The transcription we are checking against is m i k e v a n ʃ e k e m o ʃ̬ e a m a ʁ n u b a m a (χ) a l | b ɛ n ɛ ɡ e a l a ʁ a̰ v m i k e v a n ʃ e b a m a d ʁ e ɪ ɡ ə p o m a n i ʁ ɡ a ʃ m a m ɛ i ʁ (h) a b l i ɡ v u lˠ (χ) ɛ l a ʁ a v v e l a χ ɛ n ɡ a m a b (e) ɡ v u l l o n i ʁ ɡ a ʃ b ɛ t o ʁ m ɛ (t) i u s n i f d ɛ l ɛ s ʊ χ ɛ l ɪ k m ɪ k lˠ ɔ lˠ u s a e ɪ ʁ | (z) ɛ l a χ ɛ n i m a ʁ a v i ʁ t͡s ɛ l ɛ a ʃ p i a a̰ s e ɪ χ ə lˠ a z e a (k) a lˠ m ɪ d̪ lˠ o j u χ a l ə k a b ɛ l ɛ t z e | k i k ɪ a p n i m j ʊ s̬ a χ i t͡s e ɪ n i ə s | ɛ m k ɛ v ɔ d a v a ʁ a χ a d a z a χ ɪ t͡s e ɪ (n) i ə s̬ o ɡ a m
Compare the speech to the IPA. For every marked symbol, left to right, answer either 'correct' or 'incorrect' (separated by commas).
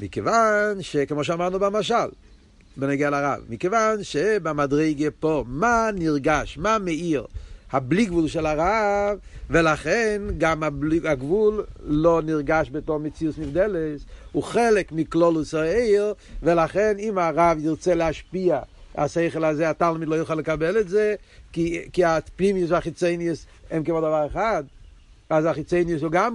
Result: incorrect, correct, incorrect, incorrect, incorrect, incorrect, incorrect, correct